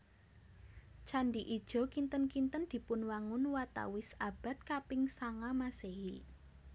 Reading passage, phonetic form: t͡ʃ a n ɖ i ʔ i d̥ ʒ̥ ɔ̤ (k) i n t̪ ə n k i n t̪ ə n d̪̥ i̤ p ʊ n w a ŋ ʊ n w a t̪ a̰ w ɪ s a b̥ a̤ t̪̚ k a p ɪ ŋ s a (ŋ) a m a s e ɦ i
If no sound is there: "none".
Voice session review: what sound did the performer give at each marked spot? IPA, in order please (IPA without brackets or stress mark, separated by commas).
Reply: k, ŋ